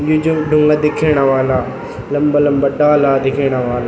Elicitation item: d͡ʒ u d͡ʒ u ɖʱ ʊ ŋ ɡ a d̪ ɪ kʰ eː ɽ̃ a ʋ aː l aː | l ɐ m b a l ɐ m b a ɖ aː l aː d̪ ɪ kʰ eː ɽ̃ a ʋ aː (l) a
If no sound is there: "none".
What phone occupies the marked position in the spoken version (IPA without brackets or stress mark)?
l